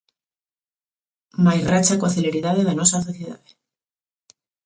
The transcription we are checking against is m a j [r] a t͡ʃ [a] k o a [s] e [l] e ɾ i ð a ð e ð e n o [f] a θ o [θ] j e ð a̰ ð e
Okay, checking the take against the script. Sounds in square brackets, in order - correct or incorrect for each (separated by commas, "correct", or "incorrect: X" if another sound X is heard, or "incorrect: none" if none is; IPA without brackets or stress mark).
correct, correct, incorrect: θ, correct, incorrect: s, correct